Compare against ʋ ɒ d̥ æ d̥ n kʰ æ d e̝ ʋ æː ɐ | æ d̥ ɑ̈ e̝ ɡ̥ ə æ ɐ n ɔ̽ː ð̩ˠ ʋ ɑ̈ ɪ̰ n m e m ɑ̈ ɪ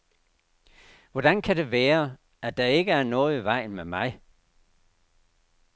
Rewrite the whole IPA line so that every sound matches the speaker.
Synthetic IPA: ʋ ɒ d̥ æ n kʰ æ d e̝ ʋ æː ɐ | æ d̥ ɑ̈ e̝ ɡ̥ ə æ ɐ n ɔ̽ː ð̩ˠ ʋ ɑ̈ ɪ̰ n m e m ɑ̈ ɪ